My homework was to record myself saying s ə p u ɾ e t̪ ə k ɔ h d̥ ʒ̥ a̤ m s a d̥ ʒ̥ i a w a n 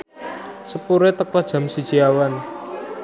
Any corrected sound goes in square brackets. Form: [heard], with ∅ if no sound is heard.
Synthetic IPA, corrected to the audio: s ə p u ɾ e t̪ ə k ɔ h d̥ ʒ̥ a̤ m s [i] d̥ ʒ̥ i a w a n